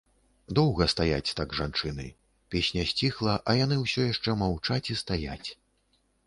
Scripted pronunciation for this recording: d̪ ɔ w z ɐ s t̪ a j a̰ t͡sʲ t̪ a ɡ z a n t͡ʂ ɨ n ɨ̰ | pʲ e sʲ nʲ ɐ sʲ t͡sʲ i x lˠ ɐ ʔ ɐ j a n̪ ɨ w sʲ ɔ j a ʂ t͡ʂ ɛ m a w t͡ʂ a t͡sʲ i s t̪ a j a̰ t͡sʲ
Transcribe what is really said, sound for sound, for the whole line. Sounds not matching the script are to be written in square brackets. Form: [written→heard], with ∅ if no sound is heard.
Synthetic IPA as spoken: d̪ ɔ w [z→ɣ] ɐ s t̪ a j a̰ t͡sʲ t̪ a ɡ [z→ʐ] a n t͡ʂ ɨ n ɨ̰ | pʲ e sʲ nʲ ɐ sʲ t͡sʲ i x lˠ ɐ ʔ ɐ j a n̪ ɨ w sʲ ɔ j a ʂ t͡ʂ ɛ m a w t͡ʂ a t͡sʲ i s t̪ a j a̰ t͡sʲ